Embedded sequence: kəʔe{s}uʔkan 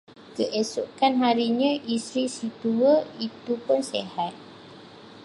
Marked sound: correct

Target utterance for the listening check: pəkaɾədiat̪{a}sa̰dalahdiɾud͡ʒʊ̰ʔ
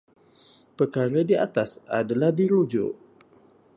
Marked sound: correct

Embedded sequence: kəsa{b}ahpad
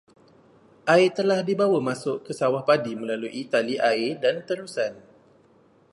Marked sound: incorrect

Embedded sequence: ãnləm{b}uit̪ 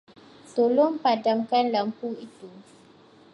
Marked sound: incorrect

